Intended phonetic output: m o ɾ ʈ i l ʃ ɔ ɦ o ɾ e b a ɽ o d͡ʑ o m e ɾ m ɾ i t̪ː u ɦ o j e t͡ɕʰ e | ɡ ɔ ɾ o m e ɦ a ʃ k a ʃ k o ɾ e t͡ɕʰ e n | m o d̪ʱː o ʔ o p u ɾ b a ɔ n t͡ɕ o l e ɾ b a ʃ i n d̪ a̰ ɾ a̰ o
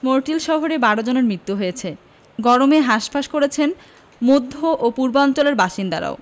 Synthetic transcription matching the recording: m o ɾ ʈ i l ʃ ɔ ɦ o ɾ e b a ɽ o d͡ʑ o n e ɾ m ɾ i t̪ː u ɦ o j e t͡ɕʰ e | ɡ ɔ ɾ o m e ɦ a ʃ p a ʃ k o ɾ e t͡ɕʰ e n | m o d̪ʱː o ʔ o p u ɾ b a ɔ n t͡ɕ o l e ɾ b a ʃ i n d̪ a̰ ɾ a̰ o